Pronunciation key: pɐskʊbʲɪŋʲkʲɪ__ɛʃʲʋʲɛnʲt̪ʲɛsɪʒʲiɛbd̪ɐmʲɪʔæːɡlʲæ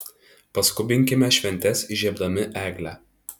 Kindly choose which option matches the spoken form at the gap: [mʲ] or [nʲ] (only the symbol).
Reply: mʲ